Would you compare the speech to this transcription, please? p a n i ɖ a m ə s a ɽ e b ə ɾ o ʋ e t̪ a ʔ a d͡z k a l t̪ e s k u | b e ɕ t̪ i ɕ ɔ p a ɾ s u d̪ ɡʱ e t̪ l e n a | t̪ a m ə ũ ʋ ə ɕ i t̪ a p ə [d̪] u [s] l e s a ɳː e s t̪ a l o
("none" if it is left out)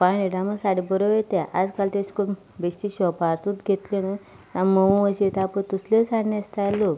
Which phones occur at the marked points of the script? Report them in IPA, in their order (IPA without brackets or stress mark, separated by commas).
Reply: t̪, s